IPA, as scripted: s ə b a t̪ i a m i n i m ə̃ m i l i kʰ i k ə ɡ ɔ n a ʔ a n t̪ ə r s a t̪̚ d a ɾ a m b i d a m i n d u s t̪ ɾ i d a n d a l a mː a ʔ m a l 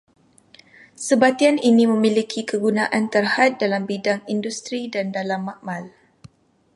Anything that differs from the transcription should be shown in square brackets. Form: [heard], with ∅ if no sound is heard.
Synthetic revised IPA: s ə b a t̪ i a [n] i n i m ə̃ m i l i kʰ i k ə ɡ [u] n a ʔ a n t̪ ə r [h] a t̪̚ d a [l] a m b i d a [ŋ] i n d u s t̪ ɾ i d a n d a l a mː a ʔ m a l